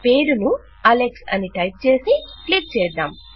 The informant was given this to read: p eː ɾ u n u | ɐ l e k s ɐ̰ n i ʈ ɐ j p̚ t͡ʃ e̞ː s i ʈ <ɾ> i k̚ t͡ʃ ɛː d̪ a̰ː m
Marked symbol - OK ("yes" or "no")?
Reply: no